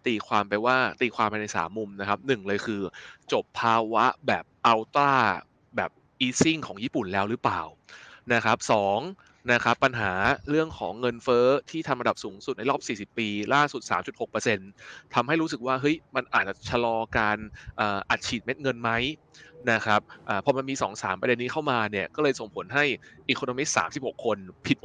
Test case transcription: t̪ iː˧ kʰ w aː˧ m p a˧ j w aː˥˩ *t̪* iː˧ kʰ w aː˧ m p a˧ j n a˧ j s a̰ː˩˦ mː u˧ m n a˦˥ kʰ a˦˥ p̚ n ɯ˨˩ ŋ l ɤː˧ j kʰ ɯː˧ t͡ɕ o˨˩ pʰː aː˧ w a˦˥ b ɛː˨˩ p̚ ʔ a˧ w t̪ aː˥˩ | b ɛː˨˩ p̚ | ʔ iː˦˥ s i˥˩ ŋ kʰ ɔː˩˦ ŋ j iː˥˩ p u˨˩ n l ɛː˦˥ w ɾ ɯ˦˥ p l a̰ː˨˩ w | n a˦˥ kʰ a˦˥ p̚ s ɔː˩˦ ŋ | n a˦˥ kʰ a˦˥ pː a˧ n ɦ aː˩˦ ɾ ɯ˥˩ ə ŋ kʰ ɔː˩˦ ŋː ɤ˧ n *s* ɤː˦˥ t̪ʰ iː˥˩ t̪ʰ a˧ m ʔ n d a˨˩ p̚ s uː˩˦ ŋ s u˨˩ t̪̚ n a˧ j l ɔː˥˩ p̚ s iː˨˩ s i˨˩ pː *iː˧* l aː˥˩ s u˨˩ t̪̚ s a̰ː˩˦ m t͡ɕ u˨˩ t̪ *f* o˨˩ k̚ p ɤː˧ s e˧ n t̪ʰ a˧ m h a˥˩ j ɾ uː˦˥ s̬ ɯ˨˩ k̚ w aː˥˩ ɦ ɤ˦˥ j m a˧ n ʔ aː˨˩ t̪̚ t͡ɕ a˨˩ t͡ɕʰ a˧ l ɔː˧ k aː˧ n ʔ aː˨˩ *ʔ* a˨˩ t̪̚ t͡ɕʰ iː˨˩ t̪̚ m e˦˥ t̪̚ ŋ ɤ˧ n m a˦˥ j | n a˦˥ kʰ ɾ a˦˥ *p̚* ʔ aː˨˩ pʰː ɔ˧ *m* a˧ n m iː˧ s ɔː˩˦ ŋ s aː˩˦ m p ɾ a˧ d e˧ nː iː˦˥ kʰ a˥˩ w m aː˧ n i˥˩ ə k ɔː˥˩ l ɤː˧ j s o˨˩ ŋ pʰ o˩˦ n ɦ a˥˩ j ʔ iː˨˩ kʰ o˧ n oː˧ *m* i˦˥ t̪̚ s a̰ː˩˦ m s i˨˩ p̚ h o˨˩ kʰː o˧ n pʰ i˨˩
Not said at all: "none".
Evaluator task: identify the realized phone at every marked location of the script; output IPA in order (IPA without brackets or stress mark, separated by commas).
t̪, f, iː˧, h, ʔ, p̚, m, m